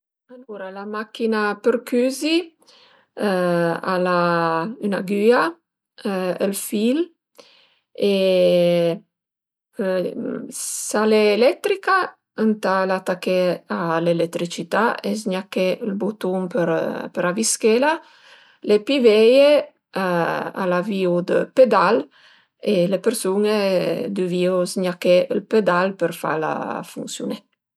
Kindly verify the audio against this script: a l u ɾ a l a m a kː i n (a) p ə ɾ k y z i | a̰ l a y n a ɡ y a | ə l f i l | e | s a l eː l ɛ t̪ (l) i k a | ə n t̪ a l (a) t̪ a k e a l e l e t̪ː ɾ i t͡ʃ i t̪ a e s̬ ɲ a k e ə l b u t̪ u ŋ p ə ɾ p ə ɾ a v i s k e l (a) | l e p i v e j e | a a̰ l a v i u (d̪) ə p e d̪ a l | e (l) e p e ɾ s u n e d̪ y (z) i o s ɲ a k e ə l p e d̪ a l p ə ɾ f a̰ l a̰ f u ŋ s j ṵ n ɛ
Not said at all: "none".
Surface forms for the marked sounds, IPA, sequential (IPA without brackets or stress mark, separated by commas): a, ɾ, a, a, d̪, l, v